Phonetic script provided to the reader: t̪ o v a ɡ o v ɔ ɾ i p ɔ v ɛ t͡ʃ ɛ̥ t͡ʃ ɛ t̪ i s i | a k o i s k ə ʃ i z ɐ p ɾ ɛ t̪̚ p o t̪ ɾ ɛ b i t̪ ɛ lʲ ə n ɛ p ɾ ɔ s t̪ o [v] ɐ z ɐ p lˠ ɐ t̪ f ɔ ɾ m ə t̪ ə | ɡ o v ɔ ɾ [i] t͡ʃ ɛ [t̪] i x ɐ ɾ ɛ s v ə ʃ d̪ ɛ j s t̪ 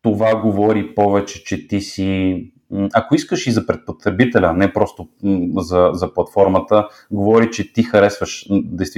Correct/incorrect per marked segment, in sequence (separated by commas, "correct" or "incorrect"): incorrect, correct, correct